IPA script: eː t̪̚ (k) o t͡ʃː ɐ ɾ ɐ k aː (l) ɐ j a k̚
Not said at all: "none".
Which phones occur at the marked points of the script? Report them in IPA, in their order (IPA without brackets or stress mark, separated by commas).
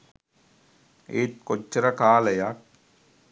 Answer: k, l